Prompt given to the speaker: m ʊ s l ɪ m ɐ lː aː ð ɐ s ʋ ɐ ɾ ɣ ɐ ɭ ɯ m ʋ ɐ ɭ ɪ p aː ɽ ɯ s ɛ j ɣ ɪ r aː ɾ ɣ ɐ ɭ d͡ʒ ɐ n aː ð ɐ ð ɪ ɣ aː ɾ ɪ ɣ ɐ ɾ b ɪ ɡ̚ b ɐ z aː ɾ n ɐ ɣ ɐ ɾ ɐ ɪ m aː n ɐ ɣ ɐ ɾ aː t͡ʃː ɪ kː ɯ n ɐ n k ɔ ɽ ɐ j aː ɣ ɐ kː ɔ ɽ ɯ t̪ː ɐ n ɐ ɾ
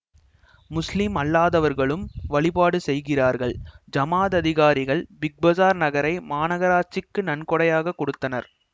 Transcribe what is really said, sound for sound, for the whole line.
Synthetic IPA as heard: m ʊ s l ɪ m ɐ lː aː ð ɐ ʋ ɐ ɾ ɣ ɐ ɭ ɯ m ʋ ɐ ɭ ɪ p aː ɽ ɯ s ɛ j ɣ ɪ r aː ɾ ɣ ɐ ɭ d͡ʒ ɐ m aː ð ɐ ð ɪ ɣ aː ɾ ɪ ɣ ɐ ɭ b ɪ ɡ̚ b ɐ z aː ɾ n ɐ ɣ ɐ ɾ ɐ ɪ m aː n ɐ ɣ ɐ ɾ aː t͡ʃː ɪ kː ɯ n ɐ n k ɔ ɽ ɐ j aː ɣ ɐ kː ɔ ɽ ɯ t̪ː ɐ n ɐ ɾ